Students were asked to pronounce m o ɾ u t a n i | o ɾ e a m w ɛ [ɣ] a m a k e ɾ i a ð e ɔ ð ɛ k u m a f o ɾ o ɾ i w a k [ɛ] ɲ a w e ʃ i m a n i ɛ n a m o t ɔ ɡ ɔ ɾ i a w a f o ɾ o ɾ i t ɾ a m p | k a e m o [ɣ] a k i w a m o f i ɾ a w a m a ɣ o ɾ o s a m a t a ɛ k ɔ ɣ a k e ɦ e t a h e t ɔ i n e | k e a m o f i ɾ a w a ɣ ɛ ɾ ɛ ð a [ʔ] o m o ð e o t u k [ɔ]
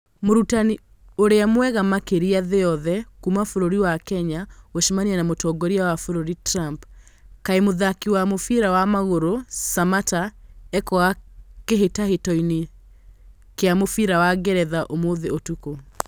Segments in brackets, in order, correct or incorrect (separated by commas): correct, correct, incorrect, correct, incorrect